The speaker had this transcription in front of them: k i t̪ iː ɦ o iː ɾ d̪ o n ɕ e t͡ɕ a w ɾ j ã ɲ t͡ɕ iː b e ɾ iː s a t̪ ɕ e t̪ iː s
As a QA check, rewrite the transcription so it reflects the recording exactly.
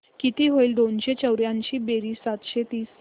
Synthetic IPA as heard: k i t̪ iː ɦ o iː l d̪ o n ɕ e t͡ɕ ə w ɾ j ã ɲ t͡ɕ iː b e ɾ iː s a t̪ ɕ e t̪ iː s